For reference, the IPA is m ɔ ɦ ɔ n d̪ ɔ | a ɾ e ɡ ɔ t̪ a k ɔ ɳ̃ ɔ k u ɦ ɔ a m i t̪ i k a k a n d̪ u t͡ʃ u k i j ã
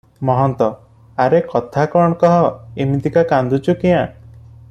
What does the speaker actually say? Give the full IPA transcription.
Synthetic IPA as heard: m ɔ ɦ ɔ n t̪ ɔ | a ɾ e k ɔ t̪ʰ a k ɔ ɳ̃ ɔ k ɔ ɦ ɔ e m i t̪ i k a k a n d̪ u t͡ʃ u k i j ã